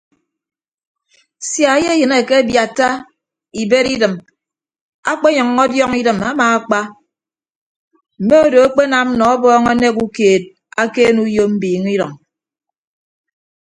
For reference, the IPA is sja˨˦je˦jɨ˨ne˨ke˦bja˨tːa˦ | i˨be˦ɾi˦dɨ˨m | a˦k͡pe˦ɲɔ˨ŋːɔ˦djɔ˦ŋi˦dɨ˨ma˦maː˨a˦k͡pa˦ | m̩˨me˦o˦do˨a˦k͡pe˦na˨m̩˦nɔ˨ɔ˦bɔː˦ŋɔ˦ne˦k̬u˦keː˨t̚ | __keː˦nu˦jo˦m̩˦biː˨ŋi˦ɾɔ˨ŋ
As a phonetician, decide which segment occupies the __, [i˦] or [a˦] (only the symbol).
a˦